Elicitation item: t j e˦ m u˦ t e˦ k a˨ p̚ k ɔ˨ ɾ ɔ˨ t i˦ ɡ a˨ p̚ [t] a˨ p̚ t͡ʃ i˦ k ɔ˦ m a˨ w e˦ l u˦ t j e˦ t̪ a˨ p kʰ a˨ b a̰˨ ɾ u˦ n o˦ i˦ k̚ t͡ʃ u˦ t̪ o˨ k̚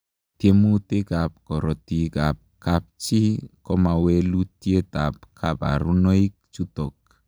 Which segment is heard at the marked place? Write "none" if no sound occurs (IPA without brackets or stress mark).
k